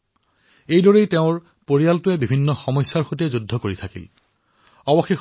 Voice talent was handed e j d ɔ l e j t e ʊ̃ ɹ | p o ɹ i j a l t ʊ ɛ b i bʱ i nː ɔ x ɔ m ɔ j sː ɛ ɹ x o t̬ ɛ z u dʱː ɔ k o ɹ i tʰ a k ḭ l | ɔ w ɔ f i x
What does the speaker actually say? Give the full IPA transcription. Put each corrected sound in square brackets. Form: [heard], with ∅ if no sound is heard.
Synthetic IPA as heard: e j d ɔ [ɹ] e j t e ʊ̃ ɹ | p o ɹ i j a l t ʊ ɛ b i bʱ i nː ɔ x ɔ m ɔ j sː [a] ɹ x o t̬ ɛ z u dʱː ɔ k o ɹ i tʰ a k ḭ l | ɔ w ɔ [x] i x